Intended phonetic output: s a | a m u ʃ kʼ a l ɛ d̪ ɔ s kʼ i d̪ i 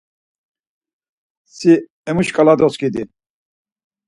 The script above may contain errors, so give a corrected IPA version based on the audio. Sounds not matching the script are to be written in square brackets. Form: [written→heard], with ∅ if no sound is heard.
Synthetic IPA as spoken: s [a→i] | [a→ɛ] m u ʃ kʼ a l [ɛ→a] d̪ ɔ s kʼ i d̪ i